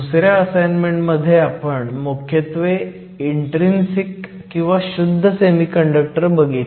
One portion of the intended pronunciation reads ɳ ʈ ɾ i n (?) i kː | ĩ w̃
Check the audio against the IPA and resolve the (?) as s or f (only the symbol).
s